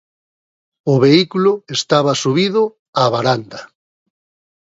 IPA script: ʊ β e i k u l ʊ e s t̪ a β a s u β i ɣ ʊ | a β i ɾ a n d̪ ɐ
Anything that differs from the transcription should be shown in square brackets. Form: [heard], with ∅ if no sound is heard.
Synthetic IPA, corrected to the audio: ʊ β e i k u l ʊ e s t̪ a β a s u β i [ð] ʊ | a β [a] ɾ a n d̪ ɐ